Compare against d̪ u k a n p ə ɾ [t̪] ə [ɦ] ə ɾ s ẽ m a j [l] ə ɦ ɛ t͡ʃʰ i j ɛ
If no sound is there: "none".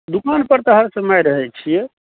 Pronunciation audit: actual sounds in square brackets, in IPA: t̪, ɦ, ɾ

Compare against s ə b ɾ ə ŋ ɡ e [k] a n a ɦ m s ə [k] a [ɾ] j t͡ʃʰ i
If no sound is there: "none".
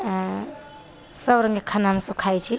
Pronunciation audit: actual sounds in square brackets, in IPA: kʰ, kʰ, none

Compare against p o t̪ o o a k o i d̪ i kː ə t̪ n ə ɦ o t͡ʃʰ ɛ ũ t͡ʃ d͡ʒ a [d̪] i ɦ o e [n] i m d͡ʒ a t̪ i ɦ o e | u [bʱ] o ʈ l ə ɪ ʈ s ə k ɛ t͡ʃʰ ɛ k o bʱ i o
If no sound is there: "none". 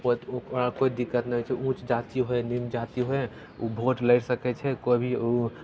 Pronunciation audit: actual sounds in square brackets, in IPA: t̪, n, bʱ

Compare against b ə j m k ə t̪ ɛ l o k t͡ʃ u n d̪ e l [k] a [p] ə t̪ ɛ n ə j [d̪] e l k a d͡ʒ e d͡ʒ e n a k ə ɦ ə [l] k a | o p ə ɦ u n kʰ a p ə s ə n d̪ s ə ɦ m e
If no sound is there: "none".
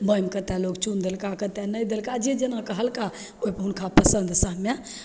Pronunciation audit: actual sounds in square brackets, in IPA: k, k, d̪, l

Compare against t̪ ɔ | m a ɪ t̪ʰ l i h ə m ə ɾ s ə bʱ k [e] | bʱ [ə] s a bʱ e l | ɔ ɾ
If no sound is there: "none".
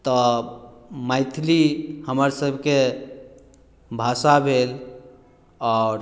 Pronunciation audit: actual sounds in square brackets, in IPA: e, a

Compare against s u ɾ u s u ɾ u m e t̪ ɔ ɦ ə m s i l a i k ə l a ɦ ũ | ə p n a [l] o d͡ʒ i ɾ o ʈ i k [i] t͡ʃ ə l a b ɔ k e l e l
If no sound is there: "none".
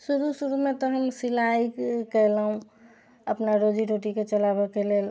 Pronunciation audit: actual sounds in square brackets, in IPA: ɾ, e

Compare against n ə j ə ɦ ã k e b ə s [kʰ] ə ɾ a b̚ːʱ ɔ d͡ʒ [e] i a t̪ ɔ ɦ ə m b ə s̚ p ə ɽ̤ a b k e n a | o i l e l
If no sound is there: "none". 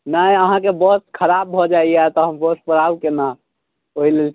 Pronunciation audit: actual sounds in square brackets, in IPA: kʰ, a

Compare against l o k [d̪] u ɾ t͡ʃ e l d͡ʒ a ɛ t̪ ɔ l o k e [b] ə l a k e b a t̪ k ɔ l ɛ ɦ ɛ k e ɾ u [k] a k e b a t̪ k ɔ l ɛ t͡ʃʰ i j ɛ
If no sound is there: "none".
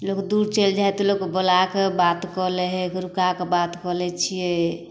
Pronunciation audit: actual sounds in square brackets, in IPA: d̪, b, k

